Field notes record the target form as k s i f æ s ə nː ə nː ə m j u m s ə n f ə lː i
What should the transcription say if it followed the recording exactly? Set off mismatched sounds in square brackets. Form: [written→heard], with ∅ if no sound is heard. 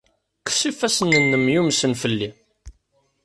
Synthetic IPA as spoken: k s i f æ s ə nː ə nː ə m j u m s ə n f ə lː i